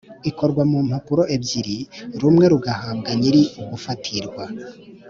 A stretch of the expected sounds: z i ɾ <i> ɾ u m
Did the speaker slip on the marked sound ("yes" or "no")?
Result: no